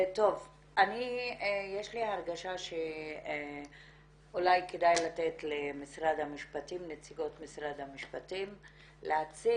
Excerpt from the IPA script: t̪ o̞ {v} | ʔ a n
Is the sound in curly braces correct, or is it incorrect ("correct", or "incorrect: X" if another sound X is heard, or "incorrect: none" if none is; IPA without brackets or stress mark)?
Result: correct